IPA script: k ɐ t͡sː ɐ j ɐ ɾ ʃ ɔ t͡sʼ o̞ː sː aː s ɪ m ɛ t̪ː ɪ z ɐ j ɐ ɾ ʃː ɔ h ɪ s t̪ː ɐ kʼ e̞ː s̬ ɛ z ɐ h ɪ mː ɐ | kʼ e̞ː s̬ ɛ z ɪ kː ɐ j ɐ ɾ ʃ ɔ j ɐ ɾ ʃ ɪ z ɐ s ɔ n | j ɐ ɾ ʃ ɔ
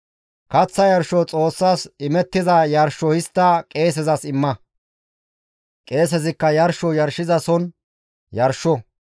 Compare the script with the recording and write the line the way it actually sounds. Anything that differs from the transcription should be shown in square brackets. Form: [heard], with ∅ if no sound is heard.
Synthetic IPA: k ɐ t͡sː ɐ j ɐ ɾ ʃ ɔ t͡sʼ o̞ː sː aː s ɪ m ɛ t̪ː ɪ z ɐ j ɐ ɾ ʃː ɔ h ɪ s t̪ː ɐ kʼ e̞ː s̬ ɛ z ɐ [s] ɪ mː ɐ | kʼ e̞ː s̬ ɛ z ɪ kː ɐ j ɐ ɾ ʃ ɔ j ɐ ɾ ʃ ɪ z ɐ s ɔ n | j ɐ ɾ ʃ ɔ